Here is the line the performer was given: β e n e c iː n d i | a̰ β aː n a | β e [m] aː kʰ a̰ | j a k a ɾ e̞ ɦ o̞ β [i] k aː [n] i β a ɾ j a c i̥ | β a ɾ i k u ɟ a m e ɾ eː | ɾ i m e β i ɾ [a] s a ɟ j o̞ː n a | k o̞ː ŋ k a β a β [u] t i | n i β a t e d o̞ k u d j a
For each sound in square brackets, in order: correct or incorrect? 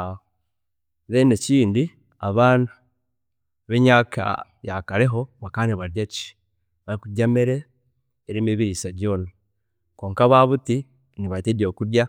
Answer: incorrect, incorrect, correct, incorrect, correct

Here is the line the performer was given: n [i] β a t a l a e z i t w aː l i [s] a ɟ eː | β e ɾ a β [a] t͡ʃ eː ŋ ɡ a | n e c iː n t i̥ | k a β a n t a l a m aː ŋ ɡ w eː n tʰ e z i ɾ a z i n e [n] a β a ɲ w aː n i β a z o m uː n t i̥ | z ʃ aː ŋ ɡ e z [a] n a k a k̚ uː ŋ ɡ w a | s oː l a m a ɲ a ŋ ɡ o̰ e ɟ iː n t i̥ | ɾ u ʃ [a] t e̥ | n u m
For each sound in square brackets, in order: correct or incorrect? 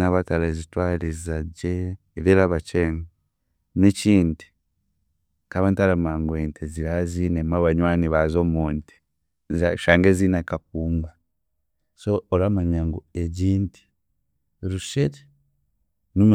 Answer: incorrect, incorrect, correct, incorrect, incorrect, incorrect

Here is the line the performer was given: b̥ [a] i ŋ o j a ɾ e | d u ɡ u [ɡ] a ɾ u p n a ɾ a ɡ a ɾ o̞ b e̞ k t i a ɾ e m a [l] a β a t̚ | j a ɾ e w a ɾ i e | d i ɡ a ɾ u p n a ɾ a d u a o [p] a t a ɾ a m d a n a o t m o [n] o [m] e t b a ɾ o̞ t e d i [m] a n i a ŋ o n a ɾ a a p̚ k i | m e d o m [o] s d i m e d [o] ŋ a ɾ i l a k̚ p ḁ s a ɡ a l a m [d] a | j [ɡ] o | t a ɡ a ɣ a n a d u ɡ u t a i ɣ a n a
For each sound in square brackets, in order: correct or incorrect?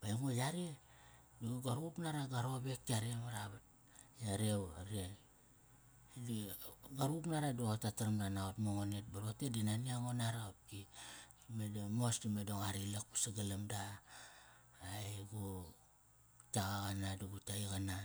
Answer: correct, correct, incorrect, incorrect, incorrect, incorrect, incorrect, correct, correct, correct, correct

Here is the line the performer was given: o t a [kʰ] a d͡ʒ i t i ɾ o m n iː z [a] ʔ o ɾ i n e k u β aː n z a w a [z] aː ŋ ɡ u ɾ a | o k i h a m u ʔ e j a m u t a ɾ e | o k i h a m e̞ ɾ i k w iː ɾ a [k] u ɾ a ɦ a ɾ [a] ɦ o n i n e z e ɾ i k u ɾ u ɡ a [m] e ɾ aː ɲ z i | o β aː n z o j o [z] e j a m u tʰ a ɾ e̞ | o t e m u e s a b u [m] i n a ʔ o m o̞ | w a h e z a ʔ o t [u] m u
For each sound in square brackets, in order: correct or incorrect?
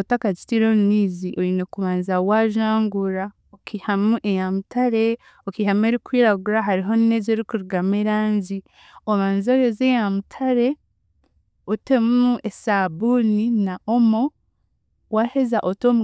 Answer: incorrect, incorrect, incorrect, incorrect, incorrect, correct, correct, incorrect, incorrect

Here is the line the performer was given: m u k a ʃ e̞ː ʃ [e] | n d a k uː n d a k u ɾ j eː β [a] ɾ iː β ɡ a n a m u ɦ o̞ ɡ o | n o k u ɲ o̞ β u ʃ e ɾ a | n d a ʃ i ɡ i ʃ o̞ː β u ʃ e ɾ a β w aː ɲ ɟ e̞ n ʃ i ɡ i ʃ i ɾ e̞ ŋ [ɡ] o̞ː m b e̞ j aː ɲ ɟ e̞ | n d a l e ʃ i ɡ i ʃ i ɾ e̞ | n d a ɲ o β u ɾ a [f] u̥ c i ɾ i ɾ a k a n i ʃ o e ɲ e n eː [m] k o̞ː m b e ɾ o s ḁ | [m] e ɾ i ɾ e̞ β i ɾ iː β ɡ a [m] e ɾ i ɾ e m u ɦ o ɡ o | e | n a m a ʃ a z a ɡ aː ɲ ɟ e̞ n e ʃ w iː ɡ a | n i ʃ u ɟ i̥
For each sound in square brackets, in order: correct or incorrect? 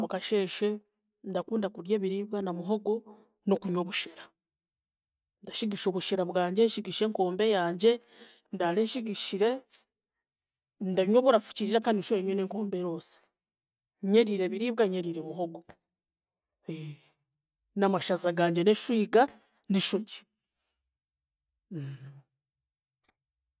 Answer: correct, incorrect, incorrect, correct, incorrect, incorrect, incorrect

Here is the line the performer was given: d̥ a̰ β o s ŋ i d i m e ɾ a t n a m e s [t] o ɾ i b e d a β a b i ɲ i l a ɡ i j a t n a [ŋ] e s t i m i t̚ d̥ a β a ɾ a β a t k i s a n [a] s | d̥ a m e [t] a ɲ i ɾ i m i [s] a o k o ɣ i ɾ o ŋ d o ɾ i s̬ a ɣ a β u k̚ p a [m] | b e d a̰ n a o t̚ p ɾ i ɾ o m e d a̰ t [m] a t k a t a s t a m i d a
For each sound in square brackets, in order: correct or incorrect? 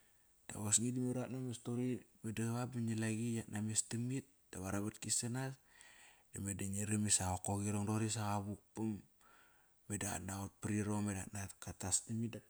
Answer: correct, incorrect, correct, incorrect, correct, correct, incorrect

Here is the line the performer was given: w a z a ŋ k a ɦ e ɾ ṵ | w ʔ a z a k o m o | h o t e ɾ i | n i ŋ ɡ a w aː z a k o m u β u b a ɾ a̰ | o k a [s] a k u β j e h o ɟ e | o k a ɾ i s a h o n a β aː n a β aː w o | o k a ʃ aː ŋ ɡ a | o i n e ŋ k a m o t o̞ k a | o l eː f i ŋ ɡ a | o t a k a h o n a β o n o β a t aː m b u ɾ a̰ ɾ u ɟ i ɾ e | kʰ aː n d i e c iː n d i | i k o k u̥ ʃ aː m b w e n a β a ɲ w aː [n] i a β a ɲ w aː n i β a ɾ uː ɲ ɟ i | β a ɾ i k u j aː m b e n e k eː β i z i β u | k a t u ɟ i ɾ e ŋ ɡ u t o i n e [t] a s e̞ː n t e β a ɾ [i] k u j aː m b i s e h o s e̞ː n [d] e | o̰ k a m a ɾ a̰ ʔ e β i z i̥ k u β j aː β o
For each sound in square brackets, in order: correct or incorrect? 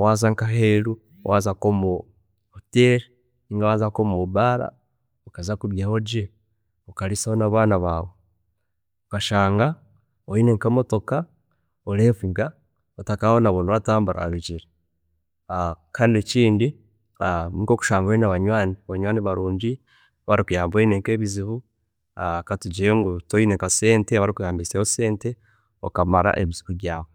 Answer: incorrect, correct, incorrect, correct, incorrect

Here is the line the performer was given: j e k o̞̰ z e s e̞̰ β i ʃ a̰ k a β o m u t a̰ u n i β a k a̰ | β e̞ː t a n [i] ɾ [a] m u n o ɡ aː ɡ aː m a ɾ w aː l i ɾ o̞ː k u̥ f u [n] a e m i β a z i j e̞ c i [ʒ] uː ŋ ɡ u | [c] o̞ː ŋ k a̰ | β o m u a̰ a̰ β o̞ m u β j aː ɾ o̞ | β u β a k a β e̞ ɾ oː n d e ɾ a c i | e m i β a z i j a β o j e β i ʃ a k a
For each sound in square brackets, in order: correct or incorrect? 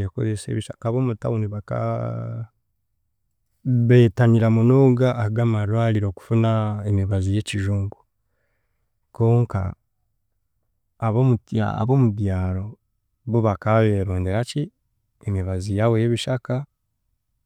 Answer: correct, correct, correct, correct, incorrect

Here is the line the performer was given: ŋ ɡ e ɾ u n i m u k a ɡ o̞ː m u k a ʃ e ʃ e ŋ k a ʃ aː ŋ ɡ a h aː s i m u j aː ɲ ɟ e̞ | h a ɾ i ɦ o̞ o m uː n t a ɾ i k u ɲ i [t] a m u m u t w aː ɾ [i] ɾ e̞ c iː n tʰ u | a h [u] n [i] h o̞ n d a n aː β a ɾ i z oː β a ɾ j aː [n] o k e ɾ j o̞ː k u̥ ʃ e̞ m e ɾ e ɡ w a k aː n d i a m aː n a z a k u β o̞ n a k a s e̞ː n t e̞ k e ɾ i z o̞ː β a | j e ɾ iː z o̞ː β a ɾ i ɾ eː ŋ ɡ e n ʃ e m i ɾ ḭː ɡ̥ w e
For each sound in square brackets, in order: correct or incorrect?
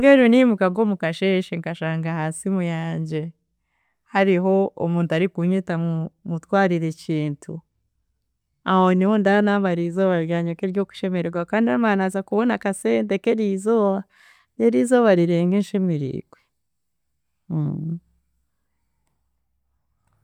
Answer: correct, correct, incorrect, correct, incorrect

